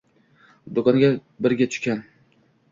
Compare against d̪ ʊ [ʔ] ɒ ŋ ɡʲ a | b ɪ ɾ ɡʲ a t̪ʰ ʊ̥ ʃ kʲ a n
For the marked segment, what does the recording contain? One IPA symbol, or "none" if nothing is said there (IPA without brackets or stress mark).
k